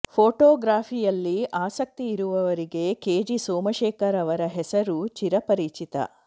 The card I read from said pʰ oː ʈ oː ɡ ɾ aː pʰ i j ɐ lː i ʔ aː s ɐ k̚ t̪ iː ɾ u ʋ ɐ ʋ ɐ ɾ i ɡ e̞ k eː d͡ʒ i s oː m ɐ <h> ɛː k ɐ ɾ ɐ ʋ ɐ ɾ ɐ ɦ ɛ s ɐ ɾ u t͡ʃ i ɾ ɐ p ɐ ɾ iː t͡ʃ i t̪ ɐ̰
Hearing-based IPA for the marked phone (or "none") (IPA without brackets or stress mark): ʃ